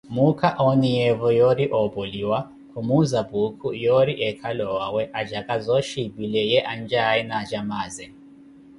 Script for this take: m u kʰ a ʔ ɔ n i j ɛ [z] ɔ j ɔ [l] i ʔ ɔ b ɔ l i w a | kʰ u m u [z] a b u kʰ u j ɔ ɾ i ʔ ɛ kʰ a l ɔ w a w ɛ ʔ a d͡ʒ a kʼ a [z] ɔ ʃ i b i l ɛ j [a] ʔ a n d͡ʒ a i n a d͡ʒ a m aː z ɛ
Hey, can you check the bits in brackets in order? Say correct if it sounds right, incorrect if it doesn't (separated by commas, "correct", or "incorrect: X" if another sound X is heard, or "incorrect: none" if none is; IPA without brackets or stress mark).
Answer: incorrect: v, incorrect: ɾ, correct, correct, incorrect: ɛ